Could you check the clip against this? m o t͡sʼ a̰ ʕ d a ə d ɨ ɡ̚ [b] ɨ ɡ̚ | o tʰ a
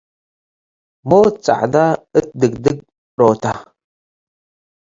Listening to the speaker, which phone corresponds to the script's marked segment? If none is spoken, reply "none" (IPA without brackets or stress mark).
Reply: d